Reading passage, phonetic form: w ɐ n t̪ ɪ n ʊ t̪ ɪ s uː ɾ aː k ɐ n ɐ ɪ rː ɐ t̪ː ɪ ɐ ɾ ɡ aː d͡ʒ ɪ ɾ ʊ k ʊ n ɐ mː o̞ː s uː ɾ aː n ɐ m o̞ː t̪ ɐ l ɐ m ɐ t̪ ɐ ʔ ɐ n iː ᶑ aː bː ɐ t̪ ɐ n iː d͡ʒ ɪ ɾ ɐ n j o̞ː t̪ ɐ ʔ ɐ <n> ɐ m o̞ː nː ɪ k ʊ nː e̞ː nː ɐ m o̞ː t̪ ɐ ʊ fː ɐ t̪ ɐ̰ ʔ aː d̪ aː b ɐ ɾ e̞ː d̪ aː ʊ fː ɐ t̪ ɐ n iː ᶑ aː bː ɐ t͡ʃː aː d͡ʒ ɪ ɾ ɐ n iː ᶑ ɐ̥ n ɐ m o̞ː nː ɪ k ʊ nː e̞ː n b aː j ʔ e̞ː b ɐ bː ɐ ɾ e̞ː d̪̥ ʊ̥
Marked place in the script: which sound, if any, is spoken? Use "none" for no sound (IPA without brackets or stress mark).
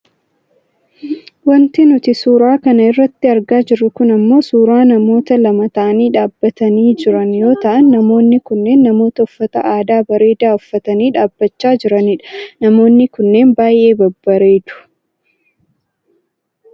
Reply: nː